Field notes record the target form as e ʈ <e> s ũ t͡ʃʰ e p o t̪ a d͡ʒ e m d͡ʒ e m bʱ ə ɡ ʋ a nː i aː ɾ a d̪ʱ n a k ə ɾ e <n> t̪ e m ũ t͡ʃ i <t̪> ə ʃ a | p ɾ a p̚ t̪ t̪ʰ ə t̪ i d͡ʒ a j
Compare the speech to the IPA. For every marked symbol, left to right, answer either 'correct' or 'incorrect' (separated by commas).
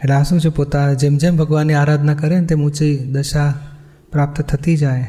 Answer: incorrect, correct, incorrect